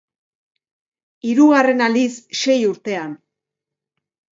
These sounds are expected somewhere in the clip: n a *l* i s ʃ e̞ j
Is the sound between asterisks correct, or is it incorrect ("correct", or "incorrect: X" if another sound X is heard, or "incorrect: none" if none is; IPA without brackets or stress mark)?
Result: correct